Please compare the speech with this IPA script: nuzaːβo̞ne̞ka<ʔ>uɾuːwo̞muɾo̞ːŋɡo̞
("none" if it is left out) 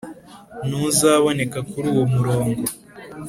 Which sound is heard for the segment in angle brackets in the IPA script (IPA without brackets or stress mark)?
k